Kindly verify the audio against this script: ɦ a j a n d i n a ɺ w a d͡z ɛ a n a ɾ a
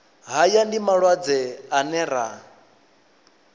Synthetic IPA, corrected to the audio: ɦ a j a n d i m a ɺ w a d͡z ɛ a n ɛ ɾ a